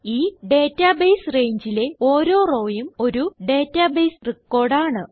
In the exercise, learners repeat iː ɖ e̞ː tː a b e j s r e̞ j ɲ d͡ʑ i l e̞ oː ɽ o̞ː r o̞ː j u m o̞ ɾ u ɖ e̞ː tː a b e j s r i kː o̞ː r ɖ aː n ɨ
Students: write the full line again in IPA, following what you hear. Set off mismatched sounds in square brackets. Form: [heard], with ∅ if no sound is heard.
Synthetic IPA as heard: iː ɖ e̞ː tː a b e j s r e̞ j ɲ d͡ʑ i l e̞ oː [ɾ] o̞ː r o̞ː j u m o̞ ɾ u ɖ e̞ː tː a b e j s r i kː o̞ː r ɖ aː [ɳ] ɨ